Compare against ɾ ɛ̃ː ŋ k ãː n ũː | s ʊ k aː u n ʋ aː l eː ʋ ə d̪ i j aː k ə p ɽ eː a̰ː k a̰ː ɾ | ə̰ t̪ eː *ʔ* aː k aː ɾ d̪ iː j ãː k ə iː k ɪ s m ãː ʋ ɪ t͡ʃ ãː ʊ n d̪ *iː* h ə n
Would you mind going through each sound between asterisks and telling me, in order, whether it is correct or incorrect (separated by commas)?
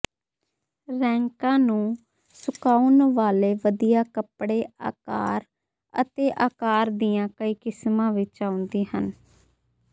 correct, correct